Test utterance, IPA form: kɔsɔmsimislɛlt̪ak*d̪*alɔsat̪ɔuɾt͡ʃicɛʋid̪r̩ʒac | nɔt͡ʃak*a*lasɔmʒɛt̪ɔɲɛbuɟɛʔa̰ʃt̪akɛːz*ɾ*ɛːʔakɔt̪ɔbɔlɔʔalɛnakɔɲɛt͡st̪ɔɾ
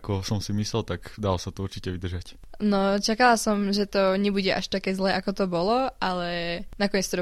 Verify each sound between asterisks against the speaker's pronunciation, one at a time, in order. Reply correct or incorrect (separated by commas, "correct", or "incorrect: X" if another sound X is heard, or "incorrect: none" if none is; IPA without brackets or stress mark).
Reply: correct, correct, incorrect: l